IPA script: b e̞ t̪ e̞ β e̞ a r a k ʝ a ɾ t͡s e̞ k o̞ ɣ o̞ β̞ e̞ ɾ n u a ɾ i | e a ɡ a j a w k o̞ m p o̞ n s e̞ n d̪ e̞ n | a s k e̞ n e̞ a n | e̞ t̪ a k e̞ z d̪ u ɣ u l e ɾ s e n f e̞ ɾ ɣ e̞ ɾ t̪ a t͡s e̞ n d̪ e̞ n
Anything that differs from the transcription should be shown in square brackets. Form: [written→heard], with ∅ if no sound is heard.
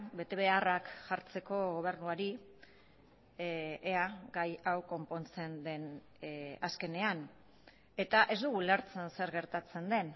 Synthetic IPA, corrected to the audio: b e̞ t̪ e̞ β e̞ a r a k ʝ a ɾ t͡s e̞ k o̞ ɣ o̞ β̞ e̞ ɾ n u a ɾ i | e a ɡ a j a w k o̞ m p o̞ n [s→t͡s] e̞ n d̪ e̞ n | a s k e̞ n e̞ a n | e̞ t̪ a [k→ʔ] e̞ z d̪ u ɣ u l e ɾ [s→t͡s] e n [f→s] e̞ ɾ ɣ e̞ ɾ t̪ a t͡s e̞ n d̪ e̞ n